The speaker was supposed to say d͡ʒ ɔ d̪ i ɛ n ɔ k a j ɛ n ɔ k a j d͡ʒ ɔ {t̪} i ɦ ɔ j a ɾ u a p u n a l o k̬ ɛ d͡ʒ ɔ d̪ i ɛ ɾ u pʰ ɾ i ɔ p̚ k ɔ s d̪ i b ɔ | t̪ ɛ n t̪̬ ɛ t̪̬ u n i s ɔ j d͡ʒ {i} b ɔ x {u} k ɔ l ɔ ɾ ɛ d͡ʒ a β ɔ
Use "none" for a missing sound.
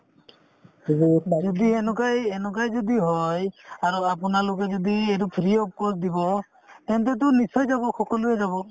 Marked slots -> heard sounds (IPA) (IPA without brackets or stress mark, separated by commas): d̪, a, ɔ